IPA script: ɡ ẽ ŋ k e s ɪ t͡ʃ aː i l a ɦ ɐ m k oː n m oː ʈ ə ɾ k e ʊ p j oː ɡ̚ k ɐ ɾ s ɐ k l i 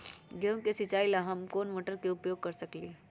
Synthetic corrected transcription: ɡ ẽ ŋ k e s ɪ t͡ʃ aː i l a ɦ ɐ m k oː n m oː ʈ ə ɾ k e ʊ p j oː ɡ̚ k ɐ ɾ s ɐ k l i

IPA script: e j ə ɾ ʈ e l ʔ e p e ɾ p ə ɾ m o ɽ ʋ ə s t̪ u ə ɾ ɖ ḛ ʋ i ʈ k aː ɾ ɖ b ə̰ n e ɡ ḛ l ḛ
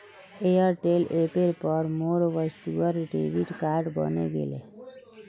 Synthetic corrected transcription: e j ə ɾ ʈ e l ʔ e p e ɾ p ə ɾ m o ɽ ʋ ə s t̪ u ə ɾ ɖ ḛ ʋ i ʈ k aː ɾ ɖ b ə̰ n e ɡ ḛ l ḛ

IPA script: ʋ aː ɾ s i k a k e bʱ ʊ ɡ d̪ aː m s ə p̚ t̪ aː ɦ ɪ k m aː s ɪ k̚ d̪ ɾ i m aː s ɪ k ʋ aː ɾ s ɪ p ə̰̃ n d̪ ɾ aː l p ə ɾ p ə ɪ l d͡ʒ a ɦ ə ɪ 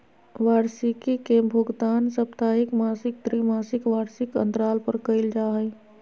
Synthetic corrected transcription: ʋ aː ɾ s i k i k e bʱ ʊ ɡ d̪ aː n s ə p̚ t̪ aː ɦ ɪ k m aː s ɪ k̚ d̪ ɾ i m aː s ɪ k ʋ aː ɾ s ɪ k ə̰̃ n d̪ ɾ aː l p ə ɾ k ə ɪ l d͡ʒ a ɦ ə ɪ

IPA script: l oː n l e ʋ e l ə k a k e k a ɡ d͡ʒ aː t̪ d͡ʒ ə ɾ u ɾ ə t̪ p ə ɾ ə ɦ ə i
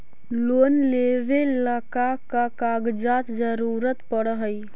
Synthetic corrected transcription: l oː n l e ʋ e l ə k a k a k a ɡ d͡ʒ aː t̪ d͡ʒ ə ɾ u ɾ ə t̪ p ə ɽ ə ɦ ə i

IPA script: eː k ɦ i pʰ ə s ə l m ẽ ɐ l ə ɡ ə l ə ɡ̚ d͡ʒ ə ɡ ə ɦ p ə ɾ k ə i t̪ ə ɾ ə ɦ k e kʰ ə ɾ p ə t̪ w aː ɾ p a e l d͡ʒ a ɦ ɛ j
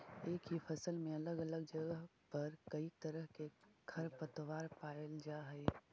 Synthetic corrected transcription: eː k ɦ i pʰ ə s ə l m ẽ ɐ l ə ɡ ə l ə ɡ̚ d͡ʒ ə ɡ ə ɦ p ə ɾ k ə i t̪ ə ɾ ə ɦ k e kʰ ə ɾ p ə t̪ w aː ɾ p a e l d͡ʒ a ɦ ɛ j

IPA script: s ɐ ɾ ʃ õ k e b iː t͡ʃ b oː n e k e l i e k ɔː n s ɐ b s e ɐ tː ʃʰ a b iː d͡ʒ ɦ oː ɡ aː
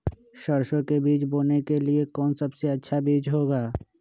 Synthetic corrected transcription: ʃ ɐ ɾ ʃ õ k e b iː t͡ʃ b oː n e k e l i e k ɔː n s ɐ b s e ɐ tː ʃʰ a b iː d͡ʒ ɦ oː ɡ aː

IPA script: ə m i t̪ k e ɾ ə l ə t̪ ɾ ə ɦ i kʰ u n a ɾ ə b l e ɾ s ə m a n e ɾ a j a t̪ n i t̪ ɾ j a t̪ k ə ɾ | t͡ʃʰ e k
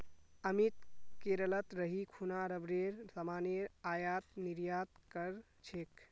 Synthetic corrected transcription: ə m i t̪ k e ɾ ə l ə t̪ ɾ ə ɦ i kʰ u n a ɾ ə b ɾ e ɾ s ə m a n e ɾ a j a t̪ n i ɾ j a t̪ k ə ɾ | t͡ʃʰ e k

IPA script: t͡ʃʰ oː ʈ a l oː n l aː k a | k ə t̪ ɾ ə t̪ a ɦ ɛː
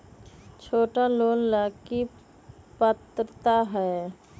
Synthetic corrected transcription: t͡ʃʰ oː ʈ a l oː n l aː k i | p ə t̪ ɾ ə t̪ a ɦ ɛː

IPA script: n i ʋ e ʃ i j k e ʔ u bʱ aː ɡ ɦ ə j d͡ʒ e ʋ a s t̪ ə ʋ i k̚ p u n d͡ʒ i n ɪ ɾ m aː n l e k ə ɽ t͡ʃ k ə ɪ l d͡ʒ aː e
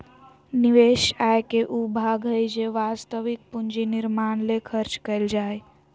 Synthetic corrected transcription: n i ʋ e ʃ a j k e ʔ u bʱ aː ɡ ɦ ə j d͡ʒ e ʋ a s t̪ ə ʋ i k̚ p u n d͡ʒ i n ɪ ɾ m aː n l e kʰ ə ɾ t͡ʃ k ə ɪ l d͡ʒ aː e

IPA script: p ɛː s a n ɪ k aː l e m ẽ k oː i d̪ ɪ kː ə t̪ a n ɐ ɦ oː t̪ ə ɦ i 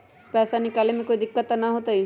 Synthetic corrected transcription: p ɛː s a n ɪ k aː l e m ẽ k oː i d̪ ɪ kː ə t̪ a n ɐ ɦ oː t̪ a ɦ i

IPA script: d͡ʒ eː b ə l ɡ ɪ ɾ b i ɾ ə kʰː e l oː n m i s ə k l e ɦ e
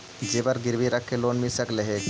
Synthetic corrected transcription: d͡ʒ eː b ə ɾ ɡ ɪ ɾ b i ɾ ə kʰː e l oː n m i s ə k l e ɦ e

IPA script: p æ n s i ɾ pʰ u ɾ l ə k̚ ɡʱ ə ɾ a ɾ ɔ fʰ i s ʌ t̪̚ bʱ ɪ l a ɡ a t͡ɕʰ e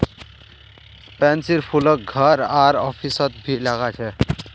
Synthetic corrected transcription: p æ n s i ɾ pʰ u l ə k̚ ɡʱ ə ɾ a ɾ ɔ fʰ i s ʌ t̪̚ bʱ i l a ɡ a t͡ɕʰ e

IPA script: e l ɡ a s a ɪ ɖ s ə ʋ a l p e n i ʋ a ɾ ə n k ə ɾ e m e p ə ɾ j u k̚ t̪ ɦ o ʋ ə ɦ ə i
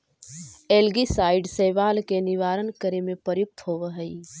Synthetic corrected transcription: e l ɡ i s a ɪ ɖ s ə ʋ a l k e n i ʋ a ɾ ə n k ə ɾ e m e p ə ɾ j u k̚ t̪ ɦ o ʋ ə ɦ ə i

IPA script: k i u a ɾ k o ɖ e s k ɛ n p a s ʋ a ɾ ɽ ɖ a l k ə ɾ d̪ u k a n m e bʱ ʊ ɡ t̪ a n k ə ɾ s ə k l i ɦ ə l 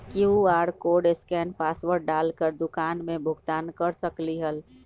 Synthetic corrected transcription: k i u a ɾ k o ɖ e s k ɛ n p a s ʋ ə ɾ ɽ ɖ a l k ə ɾ d̪ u k a n m e bʱ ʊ ɡ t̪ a n k ə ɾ s ə k l i ɦ ə l

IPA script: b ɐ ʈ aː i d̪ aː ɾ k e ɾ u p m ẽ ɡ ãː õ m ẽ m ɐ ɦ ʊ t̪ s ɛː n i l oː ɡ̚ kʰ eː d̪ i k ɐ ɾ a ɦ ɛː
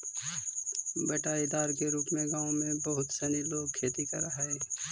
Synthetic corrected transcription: b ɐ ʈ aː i d̪ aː ɾ k e ɾ uː p m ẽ ɡ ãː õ m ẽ b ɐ ɦ ʊ t̪ s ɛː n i l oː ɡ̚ kʰ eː t̪ i k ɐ ɾ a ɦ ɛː

